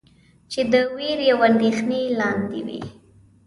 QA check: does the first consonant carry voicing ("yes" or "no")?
no